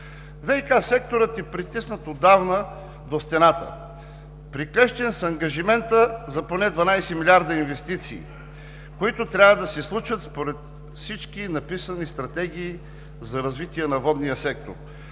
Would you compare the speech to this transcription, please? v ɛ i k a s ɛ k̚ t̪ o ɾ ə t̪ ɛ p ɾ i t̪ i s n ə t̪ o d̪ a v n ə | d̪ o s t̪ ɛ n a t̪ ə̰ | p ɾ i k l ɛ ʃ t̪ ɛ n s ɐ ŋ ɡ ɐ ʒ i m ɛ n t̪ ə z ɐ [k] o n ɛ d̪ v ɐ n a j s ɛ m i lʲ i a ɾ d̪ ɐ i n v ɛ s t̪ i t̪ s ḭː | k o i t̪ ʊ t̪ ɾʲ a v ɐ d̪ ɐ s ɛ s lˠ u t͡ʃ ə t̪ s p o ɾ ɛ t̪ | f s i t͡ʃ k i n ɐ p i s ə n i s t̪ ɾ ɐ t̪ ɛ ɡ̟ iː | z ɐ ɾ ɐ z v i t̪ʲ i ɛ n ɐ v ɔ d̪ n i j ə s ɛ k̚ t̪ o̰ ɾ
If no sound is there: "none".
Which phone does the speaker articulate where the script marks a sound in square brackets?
p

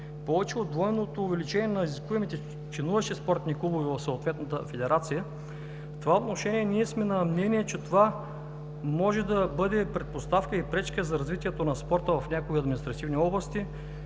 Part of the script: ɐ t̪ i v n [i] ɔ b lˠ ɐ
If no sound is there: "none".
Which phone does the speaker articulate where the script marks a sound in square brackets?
i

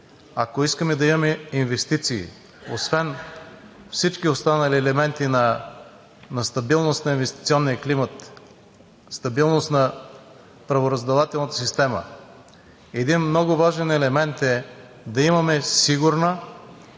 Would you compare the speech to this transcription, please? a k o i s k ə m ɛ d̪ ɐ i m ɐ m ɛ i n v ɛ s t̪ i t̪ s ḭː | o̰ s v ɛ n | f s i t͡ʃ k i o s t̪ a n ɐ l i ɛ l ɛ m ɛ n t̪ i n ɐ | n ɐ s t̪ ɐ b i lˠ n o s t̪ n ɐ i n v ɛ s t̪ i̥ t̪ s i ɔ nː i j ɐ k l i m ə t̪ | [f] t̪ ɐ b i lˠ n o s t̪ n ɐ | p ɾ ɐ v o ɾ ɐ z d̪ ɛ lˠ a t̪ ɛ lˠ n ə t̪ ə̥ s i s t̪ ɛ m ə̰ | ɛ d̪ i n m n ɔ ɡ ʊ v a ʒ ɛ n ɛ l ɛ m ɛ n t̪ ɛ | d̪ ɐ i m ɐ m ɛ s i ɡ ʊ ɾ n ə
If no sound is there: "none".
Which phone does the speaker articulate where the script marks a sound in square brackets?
s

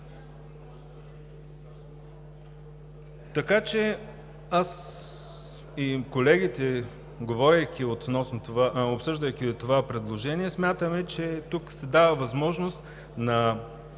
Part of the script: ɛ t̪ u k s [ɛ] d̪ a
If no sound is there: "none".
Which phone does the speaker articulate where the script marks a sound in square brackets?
ɛ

